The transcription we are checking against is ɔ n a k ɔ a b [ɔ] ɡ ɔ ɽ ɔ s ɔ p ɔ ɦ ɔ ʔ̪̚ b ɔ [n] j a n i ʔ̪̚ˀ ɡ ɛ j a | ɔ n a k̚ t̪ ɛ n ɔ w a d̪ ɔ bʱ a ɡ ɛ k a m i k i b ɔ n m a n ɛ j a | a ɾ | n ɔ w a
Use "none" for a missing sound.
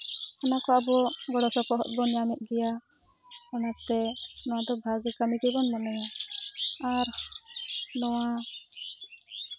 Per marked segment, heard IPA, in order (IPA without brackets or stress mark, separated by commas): ɔ, n